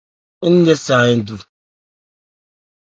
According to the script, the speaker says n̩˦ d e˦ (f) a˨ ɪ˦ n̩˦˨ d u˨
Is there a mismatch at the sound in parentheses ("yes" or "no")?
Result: yes